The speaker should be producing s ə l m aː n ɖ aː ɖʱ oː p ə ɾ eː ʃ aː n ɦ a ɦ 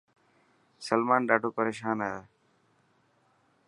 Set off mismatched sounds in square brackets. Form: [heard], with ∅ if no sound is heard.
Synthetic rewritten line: s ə l m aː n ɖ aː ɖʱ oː p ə ɾ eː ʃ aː n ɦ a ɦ